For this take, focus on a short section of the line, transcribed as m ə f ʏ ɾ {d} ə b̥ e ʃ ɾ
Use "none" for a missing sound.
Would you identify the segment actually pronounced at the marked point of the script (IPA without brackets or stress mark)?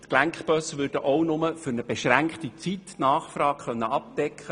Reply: n